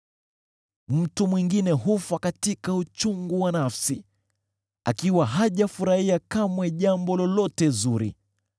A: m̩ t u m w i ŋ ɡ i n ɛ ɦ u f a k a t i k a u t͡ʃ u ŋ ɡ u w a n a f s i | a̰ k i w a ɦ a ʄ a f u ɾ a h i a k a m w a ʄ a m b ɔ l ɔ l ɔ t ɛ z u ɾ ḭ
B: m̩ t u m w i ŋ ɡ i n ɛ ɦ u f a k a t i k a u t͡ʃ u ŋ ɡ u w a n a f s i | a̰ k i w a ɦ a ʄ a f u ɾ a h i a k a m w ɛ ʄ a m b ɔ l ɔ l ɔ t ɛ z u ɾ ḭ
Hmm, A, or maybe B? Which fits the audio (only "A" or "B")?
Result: B